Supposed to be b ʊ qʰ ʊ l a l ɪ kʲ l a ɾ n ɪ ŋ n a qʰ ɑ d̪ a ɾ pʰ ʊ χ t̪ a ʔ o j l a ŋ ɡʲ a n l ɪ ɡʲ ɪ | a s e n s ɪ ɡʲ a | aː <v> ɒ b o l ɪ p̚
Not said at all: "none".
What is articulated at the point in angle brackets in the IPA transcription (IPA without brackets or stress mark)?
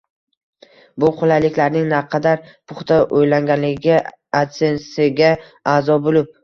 z